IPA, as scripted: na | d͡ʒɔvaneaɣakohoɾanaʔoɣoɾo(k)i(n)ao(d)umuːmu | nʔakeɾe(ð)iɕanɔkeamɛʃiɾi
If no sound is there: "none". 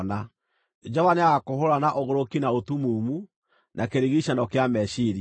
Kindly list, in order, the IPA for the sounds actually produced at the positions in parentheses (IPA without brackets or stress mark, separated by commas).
k, n, t, ɣ